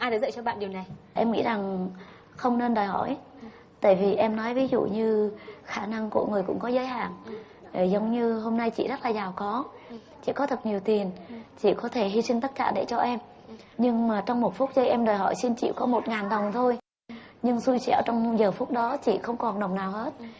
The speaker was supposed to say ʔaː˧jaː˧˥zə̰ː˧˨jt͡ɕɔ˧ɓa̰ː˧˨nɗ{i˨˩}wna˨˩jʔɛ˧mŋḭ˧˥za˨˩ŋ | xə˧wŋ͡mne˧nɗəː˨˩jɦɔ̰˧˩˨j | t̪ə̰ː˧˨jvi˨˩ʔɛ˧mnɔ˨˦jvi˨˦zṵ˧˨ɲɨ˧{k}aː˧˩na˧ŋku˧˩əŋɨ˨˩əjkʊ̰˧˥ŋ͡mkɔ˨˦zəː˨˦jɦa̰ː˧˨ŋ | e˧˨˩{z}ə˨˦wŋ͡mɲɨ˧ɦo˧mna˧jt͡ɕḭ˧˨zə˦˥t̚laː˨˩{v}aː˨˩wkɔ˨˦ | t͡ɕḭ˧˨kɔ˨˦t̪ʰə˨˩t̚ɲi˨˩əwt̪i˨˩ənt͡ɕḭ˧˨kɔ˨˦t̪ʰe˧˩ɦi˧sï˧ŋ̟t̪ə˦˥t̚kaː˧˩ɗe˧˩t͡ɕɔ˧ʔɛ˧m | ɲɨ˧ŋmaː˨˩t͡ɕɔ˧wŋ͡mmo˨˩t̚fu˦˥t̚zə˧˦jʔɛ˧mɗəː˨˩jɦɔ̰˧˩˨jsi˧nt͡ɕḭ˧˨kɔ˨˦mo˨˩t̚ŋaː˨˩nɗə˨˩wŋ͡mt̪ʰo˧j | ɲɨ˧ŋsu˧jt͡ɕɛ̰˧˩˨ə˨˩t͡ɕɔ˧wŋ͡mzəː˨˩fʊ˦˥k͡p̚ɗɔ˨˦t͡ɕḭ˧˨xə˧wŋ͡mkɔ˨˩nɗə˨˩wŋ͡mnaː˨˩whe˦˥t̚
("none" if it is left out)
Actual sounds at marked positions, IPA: i˨˩, x, z, z

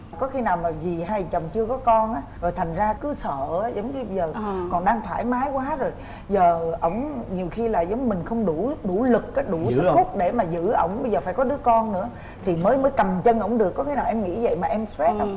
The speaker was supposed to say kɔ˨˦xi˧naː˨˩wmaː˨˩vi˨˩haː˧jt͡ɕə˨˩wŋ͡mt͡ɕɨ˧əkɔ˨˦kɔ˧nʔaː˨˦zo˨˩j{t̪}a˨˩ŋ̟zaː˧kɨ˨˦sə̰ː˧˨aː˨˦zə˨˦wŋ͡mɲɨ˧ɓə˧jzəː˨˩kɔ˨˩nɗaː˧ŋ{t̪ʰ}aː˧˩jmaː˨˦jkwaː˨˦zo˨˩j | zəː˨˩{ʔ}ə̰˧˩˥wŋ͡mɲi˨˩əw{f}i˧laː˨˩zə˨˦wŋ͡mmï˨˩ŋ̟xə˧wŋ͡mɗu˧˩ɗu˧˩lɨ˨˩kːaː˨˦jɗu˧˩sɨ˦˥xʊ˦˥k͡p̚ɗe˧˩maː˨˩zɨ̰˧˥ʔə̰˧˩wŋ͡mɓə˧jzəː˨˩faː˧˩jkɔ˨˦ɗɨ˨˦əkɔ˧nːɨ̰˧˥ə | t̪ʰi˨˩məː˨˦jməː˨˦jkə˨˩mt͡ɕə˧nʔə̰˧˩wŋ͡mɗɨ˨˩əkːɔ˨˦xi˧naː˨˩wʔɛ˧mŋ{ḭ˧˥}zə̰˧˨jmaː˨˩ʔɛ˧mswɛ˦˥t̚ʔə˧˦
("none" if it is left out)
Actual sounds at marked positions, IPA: t̪ʰ, t̪ʰ, ʔ, x, ḭ˧˥

